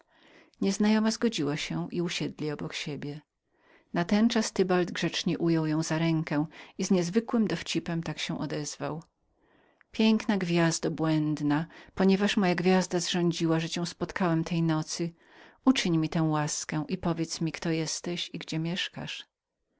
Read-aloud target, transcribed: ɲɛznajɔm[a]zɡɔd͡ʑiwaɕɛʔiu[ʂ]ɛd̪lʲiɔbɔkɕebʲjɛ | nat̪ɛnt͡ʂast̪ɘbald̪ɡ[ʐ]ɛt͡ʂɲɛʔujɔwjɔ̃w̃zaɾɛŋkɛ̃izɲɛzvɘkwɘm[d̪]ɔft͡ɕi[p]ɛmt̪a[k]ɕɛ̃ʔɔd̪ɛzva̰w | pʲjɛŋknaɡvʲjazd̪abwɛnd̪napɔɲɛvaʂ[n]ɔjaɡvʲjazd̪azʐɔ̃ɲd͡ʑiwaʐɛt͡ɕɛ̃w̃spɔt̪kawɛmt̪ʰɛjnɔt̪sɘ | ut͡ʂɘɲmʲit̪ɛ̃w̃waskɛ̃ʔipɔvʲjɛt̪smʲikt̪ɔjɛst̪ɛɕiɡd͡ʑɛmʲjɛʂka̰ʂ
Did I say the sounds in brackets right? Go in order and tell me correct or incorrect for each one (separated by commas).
correct, incorrect, correct, correct, correct, correct, incorrect